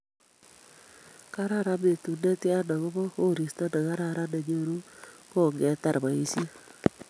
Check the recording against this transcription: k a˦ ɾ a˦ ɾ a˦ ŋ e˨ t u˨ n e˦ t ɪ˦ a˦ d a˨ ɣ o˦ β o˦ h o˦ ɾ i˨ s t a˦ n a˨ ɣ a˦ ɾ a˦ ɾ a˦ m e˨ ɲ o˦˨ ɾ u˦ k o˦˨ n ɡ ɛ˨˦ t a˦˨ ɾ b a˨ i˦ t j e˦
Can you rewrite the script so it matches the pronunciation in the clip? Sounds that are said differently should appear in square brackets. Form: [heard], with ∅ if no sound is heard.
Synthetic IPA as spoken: k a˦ ɾ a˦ ɾ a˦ [m] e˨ t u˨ n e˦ t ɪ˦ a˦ [n] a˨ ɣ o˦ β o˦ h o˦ ɾ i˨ s t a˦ n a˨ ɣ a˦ ɾ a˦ ɾ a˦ [n] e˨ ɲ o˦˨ ɾ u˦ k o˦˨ [ŋ] ɡ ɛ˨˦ t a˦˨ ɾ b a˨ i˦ [s] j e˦